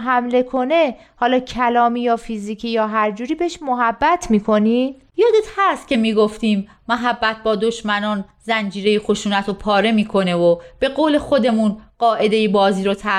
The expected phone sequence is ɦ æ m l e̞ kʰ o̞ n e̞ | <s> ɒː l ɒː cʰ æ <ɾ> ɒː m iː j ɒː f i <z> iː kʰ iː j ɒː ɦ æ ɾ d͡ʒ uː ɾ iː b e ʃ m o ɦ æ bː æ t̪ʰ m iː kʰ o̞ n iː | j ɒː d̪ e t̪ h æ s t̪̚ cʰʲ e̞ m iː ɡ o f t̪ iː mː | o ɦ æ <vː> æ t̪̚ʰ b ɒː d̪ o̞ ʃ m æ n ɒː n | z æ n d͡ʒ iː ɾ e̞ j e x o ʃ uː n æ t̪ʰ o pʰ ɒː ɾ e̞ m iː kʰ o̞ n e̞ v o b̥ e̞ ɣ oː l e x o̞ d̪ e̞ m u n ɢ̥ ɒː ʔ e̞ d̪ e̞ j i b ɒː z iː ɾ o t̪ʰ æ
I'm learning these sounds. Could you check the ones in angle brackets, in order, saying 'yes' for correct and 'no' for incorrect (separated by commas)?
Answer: no, no, yes, no